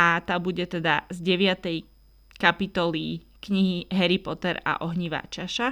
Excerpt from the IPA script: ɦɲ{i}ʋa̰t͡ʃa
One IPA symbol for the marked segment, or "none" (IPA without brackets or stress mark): i